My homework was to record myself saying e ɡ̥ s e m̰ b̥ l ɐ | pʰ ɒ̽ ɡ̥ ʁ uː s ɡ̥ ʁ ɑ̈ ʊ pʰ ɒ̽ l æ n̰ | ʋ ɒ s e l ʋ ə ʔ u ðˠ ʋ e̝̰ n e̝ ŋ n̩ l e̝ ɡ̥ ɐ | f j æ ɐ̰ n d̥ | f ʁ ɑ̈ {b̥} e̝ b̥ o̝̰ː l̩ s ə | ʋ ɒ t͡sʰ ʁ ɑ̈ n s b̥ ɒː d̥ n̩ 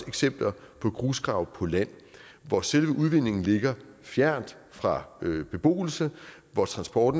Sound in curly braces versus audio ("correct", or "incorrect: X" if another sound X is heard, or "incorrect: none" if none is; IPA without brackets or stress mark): correct